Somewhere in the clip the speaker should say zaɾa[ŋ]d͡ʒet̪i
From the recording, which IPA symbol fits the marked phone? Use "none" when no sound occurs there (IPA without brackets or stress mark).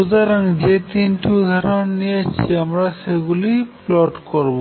ŋ